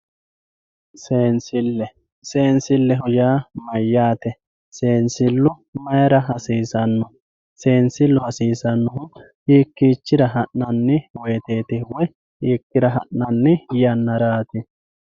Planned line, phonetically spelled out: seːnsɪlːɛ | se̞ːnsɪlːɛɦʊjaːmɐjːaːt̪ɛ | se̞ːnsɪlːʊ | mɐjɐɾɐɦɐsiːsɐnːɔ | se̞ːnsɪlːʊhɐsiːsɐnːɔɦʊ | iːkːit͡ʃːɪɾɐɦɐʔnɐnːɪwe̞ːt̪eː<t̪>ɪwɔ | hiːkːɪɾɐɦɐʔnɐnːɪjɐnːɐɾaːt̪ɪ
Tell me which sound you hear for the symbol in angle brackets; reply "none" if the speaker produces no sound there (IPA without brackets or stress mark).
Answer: t̪